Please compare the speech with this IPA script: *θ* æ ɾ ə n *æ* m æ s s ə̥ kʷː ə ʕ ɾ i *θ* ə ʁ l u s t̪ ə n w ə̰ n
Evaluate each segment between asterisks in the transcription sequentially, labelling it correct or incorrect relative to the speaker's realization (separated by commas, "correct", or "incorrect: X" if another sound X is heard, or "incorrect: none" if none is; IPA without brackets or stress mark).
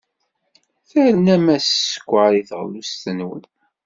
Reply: correct, correct, correct